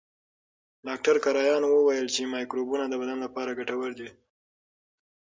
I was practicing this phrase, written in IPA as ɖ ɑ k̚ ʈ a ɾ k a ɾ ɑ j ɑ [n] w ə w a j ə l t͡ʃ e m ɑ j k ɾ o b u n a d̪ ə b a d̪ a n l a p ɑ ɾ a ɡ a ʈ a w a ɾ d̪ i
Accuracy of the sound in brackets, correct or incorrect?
correct